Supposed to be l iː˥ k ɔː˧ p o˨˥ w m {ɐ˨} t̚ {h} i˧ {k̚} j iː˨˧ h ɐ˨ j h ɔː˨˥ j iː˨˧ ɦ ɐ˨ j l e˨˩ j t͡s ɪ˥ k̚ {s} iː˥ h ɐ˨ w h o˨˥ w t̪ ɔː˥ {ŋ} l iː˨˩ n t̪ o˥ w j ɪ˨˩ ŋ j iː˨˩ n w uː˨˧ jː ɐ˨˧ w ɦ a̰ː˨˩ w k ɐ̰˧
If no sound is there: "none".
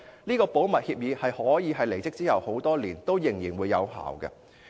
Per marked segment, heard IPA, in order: ɐ˨, h, p̚, t͡s, none

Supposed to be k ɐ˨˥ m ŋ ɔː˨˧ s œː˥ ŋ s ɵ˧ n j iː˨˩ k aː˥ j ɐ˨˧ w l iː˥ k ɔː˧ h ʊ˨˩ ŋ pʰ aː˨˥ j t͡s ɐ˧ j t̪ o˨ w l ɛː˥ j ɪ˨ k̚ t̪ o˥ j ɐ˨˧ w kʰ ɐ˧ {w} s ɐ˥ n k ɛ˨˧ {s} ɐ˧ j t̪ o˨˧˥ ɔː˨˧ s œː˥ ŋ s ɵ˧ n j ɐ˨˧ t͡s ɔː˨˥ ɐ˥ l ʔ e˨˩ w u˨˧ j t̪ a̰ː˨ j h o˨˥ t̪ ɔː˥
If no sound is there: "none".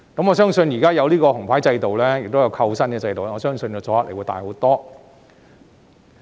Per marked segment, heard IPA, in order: w, t͡s

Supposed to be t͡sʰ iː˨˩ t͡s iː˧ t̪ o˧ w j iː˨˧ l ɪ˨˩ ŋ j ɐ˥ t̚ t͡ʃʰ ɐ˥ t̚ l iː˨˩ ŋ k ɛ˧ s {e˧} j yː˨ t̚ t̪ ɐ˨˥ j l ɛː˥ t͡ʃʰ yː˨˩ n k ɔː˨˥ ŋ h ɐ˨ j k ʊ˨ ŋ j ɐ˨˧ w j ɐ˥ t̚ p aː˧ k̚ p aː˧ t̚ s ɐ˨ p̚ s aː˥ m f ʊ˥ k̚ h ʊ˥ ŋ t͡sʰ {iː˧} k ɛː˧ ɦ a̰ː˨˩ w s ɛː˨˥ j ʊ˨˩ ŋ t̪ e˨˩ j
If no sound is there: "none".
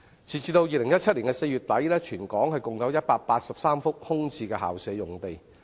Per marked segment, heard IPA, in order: e˧, iː˧

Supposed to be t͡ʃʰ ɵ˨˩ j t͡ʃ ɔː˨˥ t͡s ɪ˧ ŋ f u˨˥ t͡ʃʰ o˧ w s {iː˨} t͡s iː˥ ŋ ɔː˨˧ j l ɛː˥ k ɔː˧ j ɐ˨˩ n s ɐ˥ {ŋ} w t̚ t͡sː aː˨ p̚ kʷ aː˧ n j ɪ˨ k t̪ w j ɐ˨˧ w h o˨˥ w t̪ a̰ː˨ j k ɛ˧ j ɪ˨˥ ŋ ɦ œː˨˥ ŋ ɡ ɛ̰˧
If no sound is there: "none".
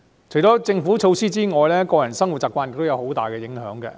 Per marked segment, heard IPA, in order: iː˥, ŋ

